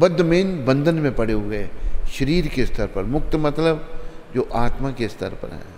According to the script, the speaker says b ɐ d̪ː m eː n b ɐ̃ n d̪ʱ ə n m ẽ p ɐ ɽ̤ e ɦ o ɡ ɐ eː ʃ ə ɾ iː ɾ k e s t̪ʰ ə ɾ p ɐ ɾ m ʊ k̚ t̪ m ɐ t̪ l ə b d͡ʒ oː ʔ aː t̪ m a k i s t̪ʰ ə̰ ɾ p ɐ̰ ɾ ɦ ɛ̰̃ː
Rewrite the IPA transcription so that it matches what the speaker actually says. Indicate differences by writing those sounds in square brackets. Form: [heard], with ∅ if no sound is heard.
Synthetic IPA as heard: b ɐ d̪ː m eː n b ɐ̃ n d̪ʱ ə n m ẽ p ɐ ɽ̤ e ɦ o ɡ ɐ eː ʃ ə ɾ iː ɾ k e s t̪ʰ ə ɾ p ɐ ɾ m ʊ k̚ t̪ m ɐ t̪ l ə b d͡ʒ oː ʔ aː t̪ m a k [e] s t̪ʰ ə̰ ɾ p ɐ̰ ɾ ɦ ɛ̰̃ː